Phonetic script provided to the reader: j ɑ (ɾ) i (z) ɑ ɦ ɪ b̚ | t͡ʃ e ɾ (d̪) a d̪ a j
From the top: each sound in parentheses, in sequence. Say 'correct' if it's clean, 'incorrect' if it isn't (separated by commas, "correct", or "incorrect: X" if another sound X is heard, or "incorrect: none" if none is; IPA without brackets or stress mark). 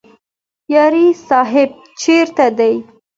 correct, incorrect: s, incorrect: t̪